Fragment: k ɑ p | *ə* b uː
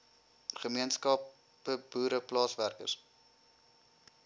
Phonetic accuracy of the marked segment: correct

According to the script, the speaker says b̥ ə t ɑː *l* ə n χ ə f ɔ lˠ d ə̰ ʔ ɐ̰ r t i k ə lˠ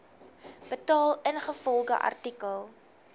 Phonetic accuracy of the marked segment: correct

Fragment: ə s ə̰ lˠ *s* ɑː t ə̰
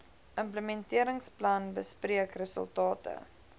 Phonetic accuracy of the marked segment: incorrect: t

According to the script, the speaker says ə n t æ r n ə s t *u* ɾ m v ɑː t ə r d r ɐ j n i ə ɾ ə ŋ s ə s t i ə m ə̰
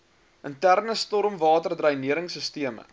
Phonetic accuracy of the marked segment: incorrect: ɔ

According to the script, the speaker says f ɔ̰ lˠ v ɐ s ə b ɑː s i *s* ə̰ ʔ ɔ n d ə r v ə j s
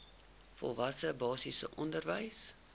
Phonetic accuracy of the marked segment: correct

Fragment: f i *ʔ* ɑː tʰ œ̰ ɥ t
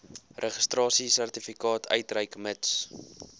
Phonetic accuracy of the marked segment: incorrect: k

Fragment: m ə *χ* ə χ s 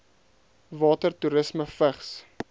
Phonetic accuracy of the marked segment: incorrect: f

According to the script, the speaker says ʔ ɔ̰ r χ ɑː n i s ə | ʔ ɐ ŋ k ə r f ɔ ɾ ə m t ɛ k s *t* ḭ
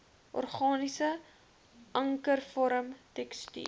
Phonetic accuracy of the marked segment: correct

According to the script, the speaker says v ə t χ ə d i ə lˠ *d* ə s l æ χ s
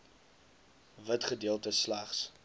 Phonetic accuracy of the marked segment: incorrect: t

